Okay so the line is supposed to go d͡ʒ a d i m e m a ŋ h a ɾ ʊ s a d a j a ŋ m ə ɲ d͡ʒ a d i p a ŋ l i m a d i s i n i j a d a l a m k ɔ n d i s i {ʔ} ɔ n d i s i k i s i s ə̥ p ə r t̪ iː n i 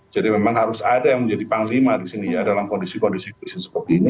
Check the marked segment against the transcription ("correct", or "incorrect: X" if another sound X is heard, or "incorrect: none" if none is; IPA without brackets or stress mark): incorrect: k